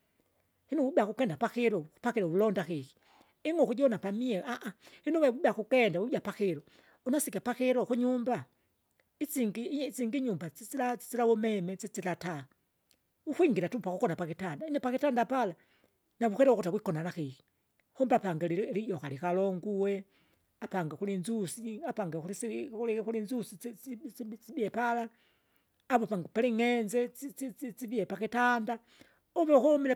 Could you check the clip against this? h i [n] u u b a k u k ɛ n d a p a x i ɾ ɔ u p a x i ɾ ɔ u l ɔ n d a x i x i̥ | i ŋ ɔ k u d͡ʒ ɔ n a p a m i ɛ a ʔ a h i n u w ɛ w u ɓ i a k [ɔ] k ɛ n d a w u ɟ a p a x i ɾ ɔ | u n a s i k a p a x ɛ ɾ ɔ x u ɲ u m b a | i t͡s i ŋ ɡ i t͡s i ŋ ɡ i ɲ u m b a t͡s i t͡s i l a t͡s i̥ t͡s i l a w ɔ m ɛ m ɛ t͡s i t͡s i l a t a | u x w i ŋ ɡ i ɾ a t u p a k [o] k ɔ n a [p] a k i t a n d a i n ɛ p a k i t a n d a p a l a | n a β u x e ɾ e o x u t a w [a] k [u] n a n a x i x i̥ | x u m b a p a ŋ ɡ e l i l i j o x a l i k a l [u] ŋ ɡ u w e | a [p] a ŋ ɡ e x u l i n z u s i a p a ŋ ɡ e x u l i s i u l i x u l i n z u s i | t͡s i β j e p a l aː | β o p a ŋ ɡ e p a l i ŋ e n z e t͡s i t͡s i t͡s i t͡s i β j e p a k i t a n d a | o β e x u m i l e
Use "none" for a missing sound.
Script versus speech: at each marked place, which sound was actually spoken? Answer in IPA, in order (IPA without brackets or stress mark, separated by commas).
n, u, u, p, i, o, o, p